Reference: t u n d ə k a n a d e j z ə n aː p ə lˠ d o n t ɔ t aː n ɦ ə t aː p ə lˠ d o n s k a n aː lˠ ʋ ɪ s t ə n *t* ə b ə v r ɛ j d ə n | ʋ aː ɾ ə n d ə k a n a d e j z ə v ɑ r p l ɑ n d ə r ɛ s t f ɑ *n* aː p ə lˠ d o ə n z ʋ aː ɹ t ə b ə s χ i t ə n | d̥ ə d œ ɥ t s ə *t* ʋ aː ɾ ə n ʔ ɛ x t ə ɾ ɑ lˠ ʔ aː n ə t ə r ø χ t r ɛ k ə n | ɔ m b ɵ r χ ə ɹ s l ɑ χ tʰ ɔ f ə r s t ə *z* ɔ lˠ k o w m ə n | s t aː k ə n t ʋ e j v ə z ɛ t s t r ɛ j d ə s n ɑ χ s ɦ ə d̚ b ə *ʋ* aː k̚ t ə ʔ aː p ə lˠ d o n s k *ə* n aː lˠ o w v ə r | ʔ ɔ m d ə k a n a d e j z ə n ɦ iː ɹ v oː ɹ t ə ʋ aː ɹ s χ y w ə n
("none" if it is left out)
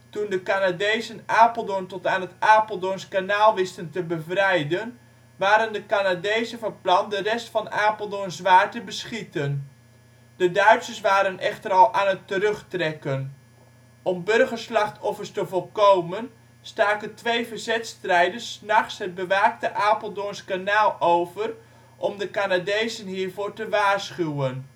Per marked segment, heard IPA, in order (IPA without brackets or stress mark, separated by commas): t, n, s, v, ʋ, a